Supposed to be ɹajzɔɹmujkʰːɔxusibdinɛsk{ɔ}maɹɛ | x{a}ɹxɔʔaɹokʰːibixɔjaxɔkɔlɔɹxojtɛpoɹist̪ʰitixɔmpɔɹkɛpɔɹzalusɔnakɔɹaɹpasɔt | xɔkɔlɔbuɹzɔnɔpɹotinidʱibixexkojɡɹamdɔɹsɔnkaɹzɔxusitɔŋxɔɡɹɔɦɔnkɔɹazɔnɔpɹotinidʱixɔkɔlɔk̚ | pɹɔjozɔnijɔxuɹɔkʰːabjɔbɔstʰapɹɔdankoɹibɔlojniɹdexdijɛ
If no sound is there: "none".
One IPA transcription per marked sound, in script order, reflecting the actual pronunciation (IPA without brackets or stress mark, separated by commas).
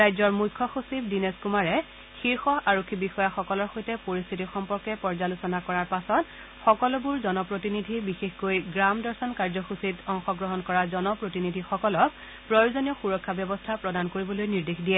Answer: u, i